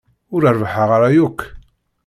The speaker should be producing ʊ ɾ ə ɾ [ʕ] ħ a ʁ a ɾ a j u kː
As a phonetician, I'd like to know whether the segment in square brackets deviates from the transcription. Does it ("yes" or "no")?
yes